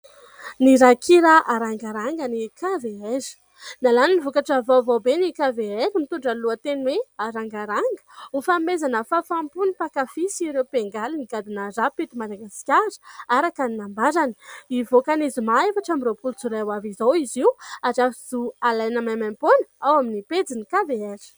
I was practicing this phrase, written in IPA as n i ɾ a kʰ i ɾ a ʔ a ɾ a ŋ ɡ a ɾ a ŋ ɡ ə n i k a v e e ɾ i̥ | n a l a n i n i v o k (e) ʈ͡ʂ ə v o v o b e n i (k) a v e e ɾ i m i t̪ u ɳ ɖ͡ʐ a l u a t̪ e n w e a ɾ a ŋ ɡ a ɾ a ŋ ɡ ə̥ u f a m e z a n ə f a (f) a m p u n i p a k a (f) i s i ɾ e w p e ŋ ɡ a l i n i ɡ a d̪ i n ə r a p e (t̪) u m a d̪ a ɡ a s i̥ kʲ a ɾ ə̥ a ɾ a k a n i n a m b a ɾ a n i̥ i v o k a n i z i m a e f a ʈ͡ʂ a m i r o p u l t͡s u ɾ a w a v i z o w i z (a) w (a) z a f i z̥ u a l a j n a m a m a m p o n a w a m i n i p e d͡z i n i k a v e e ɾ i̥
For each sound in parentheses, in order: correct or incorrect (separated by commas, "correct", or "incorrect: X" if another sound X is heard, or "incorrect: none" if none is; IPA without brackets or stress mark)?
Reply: incorrect: a, correct, correct, correct, correct, incorrect: i, correct